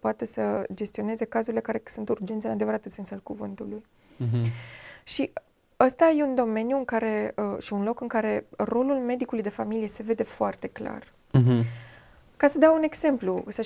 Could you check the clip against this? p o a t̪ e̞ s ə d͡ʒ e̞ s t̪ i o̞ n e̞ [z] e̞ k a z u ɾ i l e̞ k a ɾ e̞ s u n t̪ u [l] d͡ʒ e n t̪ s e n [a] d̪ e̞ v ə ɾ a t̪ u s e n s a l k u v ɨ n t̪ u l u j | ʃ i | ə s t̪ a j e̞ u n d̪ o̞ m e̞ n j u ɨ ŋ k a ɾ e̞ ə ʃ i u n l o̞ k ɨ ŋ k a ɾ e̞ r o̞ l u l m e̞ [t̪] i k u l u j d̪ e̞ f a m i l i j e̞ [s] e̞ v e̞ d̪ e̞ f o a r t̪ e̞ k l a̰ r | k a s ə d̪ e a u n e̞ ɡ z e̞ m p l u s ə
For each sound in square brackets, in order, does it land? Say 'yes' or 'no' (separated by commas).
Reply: yes, no, yes, no, yes